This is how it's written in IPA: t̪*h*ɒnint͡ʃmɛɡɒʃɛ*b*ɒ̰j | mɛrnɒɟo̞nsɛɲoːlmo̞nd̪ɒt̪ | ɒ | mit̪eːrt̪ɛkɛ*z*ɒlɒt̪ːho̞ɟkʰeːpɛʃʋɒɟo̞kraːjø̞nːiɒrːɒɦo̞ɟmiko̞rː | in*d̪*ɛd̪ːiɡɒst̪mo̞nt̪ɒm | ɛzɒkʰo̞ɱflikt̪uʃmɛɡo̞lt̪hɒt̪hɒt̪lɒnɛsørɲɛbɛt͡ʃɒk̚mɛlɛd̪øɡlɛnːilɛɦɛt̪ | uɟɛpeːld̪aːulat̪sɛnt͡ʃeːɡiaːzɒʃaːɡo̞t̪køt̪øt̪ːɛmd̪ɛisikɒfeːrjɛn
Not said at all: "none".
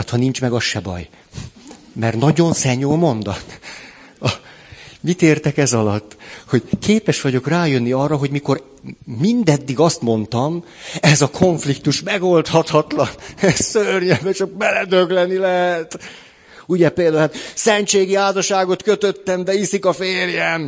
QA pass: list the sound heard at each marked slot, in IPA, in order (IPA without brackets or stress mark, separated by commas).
h, b, z, d̪